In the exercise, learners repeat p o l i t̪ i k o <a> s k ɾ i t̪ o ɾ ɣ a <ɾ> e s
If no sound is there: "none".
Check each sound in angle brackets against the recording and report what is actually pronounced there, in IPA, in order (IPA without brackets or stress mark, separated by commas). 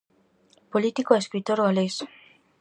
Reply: e, l